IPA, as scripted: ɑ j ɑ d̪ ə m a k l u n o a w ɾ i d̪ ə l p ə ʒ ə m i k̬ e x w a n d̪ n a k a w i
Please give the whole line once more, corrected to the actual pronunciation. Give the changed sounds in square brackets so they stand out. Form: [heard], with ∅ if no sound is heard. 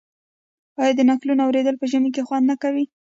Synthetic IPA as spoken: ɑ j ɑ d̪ ə [n] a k l u n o a w ɾ [e] d̪ ə l p ə ʒ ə m i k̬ e x w a n d̪ n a k a w i